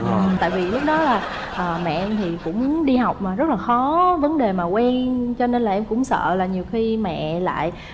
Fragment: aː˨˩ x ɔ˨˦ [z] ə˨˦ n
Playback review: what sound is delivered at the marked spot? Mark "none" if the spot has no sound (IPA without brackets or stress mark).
v